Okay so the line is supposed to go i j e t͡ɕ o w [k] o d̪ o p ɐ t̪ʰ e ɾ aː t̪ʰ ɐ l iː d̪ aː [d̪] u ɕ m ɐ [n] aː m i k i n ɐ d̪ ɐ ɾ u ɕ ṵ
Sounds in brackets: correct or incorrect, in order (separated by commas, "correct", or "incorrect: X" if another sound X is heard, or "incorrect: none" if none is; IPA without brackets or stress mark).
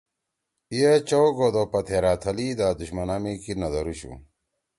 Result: incorrect: ɡ, correct, correct